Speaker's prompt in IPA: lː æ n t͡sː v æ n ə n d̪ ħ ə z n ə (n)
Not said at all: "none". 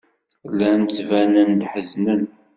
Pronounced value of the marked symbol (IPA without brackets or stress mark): n